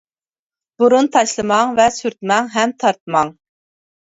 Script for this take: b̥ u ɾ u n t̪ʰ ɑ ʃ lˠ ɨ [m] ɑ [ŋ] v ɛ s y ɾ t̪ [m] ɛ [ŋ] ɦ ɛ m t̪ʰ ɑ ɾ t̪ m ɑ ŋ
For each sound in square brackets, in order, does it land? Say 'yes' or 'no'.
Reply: yes, yes, yes, yes

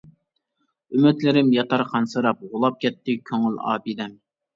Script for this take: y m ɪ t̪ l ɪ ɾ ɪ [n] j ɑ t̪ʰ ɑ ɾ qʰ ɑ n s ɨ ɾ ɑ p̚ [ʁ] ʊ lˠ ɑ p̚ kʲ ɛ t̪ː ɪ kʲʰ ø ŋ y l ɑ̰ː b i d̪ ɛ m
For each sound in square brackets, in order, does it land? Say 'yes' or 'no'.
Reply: no, yes

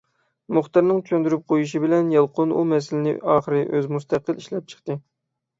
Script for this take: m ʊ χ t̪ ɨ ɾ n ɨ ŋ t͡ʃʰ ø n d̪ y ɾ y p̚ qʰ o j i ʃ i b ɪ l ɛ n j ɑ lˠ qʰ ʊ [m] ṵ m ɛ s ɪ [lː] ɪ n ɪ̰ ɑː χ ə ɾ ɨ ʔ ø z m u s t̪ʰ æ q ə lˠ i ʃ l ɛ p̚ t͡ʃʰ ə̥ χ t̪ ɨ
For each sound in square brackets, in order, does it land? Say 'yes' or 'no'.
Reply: no, no

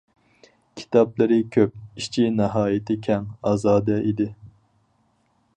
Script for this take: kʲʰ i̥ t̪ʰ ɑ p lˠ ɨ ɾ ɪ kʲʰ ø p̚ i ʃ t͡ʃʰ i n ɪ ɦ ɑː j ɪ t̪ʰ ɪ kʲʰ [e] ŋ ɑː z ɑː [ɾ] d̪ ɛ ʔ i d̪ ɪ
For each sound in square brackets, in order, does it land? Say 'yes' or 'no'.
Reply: no, no

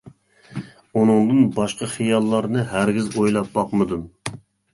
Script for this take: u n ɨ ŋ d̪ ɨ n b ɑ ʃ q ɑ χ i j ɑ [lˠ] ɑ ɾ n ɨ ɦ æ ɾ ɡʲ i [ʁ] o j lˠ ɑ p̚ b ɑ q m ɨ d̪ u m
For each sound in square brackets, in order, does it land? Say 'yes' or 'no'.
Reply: no, no

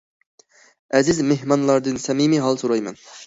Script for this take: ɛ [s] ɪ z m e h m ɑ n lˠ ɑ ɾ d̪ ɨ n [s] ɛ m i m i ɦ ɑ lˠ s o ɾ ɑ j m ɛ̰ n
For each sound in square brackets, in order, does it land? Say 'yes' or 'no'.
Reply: no, yes

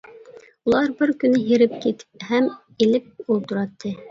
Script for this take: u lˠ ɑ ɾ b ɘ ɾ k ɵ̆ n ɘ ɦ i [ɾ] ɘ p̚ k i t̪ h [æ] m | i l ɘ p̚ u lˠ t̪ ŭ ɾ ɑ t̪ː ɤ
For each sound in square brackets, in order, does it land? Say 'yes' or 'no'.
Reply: yes, yes

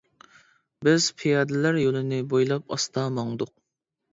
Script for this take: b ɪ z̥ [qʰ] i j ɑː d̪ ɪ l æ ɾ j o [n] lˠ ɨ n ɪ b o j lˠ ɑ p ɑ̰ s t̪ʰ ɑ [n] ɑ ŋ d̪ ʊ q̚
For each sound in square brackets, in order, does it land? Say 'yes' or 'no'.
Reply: no, no, no

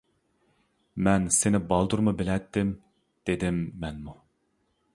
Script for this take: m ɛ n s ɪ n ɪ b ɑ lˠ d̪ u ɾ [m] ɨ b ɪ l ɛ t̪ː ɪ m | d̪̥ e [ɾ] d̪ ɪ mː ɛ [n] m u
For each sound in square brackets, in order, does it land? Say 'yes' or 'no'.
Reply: yes, no, yes

